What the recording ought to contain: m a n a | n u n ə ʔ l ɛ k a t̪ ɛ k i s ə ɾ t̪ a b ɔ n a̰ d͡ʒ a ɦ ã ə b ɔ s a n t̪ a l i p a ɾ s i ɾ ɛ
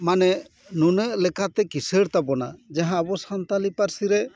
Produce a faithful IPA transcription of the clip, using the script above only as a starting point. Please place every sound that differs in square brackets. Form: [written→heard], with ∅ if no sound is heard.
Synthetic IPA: m a n [a→ɛ] | n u n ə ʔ l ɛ k a t̪ ɛ k i s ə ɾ t̪ a b ɔ n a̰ d͡ʒ a ɦ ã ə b ɔ s a n t̪ a l i p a ɾ s i ɾ ɛ